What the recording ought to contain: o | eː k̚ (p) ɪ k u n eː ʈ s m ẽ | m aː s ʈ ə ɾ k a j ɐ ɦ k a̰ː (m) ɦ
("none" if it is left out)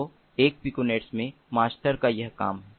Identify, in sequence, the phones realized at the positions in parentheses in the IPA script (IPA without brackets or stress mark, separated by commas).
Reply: p, m